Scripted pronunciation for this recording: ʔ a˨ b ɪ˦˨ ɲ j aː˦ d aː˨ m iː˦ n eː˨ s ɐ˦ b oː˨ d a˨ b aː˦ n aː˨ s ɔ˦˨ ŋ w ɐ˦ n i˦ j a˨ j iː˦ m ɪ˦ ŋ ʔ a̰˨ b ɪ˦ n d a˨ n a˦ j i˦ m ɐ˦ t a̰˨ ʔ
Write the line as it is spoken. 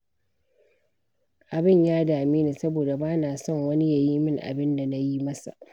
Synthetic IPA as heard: ʔ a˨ b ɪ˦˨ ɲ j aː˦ d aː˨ m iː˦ n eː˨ s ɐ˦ b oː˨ d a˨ b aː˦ n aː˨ s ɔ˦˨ ŋ w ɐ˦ n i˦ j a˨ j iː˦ m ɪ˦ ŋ ʔ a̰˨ b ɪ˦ n d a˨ n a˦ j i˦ m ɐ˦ s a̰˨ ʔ